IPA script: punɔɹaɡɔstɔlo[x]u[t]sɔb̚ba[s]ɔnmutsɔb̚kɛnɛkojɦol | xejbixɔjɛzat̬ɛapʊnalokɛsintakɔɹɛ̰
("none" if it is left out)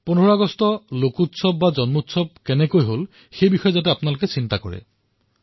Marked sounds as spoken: k, t, z

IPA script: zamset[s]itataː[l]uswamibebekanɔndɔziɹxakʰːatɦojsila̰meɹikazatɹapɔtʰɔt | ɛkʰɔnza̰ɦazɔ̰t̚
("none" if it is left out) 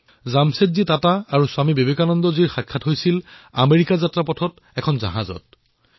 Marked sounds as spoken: z, ɹ

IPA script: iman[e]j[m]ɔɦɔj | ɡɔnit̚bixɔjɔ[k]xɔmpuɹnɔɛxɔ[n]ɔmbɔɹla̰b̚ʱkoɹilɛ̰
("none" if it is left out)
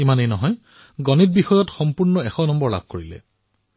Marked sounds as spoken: e, n, t, n

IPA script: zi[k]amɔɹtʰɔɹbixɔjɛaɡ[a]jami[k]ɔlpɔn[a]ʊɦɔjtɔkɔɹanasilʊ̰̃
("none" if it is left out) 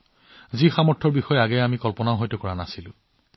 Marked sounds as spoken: x, ɛ, k, a

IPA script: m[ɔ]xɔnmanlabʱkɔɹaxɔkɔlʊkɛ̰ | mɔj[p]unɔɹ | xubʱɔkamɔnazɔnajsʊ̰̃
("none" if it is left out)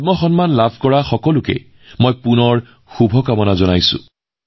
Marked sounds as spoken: ɔ, p

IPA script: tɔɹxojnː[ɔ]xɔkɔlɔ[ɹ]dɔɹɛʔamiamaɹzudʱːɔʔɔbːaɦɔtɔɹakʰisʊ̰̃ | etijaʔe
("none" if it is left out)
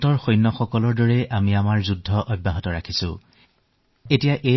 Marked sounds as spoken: ɔ, ɹ

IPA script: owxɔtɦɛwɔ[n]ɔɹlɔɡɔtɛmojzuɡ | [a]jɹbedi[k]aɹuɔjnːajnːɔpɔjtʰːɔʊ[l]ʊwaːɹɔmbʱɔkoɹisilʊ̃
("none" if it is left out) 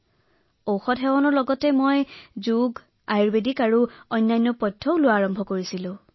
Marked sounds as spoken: n, a, k, l

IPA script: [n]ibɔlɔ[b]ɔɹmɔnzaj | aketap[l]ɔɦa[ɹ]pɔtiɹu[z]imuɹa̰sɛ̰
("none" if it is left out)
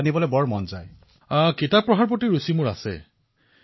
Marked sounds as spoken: n, b, ɹ, ɹ, s

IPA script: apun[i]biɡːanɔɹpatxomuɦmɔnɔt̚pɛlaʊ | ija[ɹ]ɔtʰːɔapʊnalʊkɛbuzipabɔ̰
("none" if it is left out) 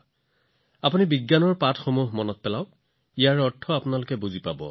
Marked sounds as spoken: i, ɹ

